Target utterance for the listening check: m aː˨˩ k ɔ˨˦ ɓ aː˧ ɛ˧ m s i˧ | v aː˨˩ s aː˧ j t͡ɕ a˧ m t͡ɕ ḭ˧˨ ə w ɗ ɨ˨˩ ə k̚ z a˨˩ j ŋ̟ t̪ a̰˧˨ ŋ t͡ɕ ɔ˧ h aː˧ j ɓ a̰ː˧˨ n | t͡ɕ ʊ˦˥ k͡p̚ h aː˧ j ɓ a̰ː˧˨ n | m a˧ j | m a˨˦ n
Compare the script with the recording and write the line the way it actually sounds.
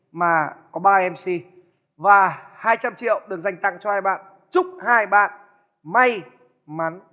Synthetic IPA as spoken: m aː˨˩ k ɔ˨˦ ɓ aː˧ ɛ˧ m s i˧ | v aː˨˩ h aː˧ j t͡ɕ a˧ m t͡ɕ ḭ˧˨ ə w ɗ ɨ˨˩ ə k̚ z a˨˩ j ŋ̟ t̪ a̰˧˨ ŋ t͡ɕ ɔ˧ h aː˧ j ɓ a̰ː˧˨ n | t͡ɕ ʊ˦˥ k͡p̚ h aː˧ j ɓ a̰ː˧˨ n | m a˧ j | m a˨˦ n

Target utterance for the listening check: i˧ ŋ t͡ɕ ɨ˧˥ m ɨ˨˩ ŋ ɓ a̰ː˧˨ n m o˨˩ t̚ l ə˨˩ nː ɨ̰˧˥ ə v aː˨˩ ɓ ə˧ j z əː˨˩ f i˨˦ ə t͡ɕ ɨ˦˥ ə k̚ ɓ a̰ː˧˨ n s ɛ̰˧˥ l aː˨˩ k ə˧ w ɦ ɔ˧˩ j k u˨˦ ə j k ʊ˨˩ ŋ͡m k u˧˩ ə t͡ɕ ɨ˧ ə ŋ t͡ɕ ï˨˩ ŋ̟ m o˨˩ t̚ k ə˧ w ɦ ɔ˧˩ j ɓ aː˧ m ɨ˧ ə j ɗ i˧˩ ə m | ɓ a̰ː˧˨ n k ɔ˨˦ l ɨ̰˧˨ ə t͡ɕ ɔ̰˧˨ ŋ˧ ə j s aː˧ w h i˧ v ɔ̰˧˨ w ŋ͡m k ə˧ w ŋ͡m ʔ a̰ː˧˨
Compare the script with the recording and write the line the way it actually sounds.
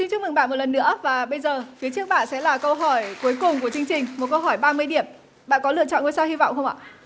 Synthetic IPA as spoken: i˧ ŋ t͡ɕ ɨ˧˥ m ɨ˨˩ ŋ ɓ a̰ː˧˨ n m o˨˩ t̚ l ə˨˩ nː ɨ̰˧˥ ə v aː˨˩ ɓ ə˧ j z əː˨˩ f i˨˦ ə t͡ɕ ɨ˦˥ ə k̚ ɓ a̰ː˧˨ n s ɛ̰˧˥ l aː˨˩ k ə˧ w ɦ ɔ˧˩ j k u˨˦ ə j k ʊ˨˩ ŋ͡m k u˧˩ ə t͡ɕ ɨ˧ ə ŋ t͡ɕ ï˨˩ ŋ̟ m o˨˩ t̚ k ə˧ w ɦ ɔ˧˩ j ɓ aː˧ m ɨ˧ ə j ɗ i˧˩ ə m | ɓ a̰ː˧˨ n k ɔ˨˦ l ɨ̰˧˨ ə t͡ɕ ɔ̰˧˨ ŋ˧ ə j s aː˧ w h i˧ v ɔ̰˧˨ w ŋ͡m x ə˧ w ŋ͡m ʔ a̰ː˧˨

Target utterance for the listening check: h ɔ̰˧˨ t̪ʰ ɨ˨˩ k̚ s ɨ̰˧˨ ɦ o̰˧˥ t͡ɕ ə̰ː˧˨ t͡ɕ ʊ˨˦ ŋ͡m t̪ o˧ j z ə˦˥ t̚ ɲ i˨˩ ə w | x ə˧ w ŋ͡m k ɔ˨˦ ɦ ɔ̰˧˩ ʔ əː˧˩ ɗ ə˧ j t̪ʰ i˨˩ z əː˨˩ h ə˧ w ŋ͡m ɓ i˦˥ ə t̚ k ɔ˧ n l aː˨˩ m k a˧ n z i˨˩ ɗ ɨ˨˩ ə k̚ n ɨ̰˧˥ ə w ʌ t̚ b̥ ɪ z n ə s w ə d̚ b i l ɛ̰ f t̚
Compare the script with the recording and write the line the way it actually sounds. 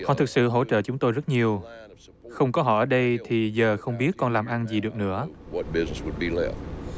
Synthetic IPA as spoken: h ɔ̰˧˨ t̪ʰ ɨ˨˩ k̚ s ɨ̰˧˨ ɦ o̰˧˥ t͡ɕ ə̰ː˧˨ t͡ɕ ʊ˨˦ ŋ͡m t̪ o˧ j z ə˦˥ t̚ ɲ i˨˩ ə w | x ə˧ w ŋ͡m k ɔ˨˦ ɦ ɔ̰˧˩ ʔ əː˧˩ ɗ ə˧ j t̪ʰ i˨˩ z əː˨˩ x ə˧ w ŋ͡m ɓ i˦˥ ə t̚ k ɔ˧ n l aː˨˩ m ʔ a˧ n z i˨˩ ɗ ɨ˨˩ ə k̚ n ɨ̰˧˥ ə w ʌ t̚ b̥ ɪ z n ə s w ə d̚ b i l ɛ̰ f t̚

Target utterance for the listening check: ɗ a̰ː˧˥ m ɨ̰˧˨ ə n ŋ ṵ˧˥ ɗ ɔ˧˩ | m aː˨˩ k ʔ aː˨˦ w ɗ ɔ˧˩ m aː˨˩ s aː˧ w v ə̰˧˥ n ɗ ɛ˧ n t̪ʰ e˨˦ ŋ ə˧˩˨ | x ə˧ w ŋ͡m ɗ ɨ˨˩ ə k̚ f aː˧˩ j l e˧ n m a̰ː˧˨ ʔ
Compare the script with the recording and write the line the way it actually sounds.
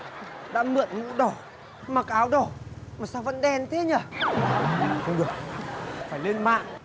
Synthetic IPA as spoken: ɗ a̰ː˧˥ m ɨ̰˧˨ ə n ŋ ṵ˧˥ ɗ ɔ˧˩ | m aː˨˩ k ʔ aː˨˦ w ɗ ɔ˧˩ m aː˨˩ s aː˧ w v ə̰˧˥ n ɗ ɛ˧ n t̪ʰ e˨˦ ɲ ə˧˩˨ | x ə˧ w ŋ͡m ɗ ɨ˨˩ ə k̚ f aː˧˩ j l e˧ n m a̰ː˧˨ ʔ

